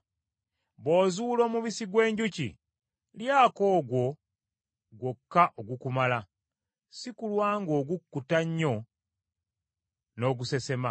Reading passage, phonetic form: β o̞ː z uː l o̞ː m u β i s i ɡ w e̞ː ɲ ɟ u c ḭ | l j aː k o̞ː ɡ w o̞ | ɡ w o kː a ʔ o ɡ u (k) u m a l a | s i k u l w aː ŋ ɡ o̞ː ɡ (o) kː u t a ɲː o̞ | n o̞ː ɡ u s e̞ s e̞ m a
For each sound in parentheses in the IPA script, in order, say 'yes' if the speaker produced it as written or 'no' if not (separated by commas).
yes, no